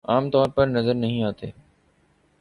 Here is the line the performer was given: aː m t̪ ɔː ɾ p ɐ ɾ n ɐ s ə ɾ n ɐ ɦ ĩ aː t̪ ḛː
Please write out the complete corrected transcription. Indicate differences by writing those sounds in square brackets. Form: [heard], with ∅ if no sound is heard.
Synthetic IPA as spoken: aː m t̪ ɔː ɾ p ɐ ɾ n ɐ [z] ə ɾ n ɐ ɦ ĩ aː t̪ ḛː

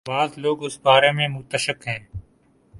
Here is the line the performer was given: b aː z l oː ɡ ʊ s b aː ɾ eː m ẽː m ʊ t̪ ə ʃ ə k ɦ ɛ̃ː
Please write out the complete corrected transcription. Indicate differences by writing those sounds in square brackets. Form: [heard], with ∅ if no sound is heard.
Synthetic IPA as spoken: b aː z l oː ɡ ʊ s b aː ɾ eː m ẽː m ʊ t̪ ə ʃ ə k ɦ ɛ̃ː

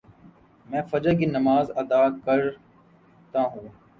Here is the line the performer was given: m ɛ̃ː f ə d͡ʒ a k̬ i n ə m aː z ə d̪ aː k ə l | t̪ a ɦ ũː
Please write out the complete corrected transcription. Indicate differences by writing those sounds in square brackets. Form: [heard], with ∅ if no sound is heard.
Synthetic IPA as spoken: m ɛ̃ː f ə d͡ʒ [ə] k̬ i n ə m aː z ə d̪ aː k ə [ɾ] | t̪ a ɦ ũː

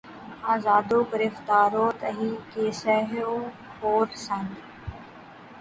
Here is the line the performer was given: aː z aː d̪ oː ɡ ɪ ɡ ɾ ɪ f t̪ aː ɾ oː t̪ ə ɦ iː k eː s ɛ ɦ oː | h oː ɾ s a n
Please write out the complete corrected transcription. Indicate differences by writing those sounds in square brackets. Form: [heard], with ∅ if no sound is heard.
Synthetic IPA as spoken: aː z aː d̪ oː ɡ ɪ [∅] ɾ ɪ f t̪ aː ɾ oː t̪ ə ɦ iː k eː s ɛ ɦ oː | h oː ɾ s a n

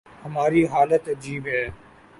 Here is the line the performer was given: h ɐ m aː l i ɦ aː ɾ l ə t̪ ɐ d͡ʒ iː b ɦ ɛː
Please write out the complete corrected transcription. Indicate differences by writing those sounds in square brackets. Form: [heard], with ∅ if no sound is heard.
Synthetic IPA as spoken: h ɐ m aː [ɾ] i ɦ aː [∅] l ə t̪ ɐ d͡ʒ iː b ɦ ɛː

